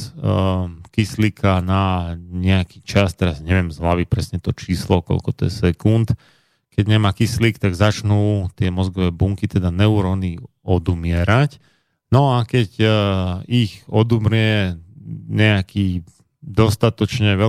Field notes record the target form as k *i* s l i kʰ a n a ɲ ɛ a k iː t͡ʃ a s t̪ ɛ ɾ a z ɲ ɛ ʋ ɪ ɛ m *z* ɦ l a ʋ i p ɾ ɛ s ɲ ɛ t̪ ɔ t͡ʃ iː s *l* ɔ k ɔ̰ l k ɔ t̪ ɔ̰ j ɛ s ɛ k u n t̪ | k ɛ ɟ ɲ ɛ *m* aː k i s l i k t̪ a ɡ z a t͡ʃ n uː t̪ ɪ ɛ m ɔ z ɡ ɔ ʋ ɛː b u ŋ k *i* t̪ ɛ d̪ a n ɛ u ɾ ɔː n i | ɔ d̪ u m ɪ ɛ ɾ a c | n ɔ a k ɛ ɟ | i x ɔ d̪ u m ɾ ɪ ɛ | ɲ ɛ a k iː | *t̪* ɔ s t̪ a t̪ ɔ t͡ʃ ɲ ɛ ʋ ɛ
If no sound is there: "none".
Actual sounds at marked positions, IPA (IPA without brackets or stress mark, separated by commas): i, z, l, m, i, d̪